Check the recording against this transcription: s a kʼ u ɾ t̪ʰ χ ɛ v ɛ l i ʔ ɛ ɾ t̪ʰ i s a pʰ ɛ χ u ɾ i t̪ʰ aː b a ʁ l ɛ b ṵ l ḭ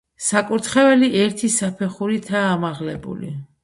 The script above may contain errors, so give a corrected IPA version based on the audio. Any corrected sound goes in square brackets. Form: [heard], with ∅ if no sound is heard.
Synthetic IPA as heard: s a kʼ u ɾ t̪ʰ χ ɛ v ɛ l i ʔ ɛ ɾ t̪ʰ i s a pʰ ɛ χ u ɾ i t̪ʰ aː [m] a ʁ l ɛ b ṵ l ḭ